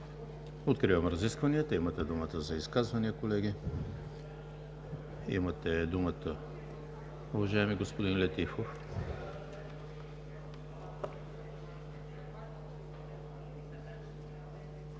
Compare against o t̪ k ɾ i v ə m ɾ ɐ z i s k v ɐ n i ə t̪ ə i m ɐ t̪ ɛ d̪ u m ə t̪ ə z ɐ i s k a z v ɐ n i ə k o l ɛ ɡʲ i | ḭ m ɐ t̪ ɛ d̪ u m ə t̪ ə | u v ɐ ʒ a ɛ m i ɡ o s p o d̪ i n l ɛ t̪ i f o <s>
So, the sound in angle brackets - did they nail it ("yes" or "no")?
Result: no